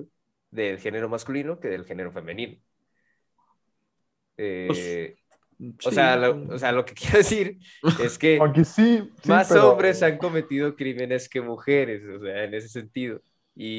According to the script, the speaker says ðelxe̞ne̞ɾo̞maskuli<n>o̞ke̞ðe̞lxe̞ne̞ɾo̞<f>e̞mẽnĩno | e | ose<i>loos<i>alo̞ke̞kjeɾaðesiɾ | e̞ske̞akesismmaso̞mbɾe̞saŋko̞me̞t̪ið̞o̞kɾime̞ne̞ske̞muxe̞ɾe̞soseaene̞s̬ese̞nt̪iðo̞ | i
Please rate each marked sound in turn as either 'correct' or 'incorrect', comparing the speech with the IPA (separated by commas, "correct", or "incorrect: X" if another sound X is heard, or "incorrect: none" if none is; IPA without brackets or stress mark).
correct, correct, incorrect: a, incorrect: e